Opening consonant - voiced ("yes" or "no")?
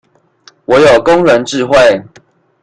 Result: yes